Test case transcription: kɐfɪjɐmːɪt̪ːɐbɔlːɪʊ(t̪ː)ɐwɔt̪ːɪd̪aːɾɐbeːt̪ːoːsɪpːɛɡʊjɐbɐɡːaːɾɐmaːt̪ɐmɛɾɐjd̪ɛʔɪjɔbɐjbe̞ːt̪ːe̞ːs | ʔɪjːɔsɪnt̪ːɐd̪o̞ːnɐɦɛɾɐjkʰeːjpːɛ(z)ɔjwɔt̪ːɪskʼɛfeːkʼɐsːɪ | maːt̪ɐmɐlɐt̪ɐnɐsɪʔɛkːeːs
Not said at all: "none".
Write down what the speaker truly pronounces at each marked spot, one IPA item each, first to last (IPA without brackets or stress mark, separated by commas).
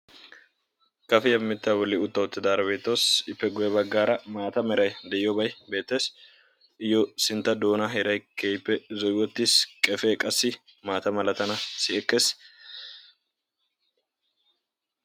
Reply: t̪ː, z